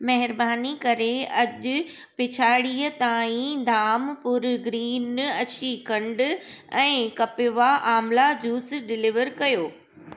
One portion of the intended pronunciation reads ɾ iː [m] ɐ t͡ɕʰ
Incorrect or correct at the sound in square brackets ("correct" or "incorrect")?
incorrect